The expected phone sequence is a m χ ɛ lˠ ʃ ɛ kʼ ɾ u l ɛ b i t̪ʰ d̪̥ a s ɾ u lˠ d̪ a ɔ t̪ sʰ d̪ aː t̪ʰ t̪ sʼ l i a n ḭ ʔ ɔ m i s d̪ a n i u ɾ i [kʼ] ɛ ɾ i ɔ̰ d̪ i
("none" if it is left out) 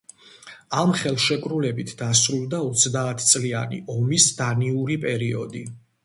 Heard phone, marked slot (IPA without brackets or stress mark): pʼ